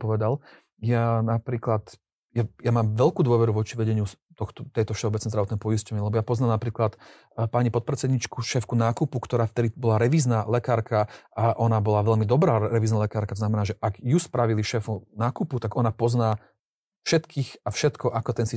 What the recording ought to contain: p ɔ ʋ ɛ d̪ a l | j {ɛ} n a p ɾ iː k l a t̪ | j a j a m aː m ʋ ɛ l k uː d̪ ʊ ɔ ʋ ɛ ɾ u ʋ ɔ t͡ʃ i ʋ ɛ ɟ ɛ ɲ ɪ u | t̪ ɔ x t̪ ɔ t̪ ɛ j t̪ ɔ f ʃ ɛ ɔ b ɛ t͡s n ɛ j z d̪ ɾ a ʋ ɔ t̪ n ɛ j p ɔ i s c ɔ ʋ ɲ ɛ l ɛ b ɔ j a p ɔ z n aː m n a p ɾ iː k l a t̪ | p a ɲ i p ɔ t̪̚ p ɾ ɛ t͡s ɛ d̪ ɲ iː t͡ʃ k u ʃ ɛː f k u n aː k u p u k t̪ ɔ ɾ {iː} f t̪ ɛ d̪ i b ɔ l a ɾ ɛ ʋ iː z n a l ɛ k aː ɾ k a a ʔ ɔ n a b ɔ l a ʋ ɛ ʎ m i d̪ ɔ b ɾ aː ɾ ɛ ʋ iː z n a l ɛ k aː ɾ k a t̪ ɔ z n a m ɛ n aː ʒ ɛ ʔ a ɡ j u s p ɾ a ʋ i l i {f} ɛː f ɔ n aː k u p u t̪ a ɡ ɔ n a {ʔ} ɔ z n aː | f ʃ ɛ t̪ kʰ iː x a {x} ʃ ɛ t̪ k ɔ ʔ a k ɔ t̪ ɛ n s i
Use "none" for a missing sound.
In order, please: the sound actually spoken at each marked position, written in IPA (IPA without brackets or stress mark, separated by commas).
a, aː, ʃ, p, f